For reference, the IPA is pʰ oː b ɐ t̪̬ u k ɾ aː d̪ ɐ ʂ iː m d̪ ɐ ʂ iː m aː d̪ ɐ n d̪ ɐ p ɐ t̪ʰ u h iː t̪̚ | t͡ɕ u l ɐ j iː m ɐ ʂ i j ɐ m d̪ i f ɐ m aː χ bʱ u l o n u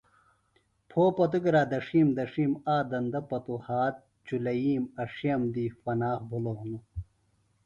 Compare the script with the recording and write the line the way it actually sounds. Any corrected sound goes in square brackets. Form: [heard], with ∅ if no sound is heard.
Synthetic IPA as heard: pʰ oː [p] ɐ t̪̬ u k ɾ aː d̪ ɐ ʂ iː m d̪ ɐ ʂ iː m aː d̪ ɐ n d̪ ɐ p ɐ [t̪] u h [aː] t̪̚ | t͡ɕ u l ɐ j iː m ɐ ʂ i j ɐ m d̪ i f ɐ [n] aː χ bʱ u l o n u